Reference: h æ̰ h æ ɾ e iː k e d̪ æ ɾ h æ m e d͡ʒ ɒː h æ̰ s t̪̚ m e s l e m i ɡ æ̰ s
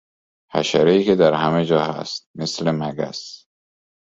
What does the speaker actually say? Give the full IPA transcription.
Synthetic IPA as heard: h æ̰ ʃ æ ɾ e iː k e d̪ æ ɾ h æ m e d͡ʒ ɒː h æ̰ s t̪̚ m e s l e m æ ɡ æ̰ s